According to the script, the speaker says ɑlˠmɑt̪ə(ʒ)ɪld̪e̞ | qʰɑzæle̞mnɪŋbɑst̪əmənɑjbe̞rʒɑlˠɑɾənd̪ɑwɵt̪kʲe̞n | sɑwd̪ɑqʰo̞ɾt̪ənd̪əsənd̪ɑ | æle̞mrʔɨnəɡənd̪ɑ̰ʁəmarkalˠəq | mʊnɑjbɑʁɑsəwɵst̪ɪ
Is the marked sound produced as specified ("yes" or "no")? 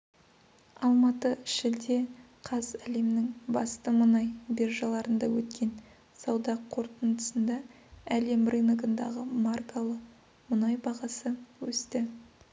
no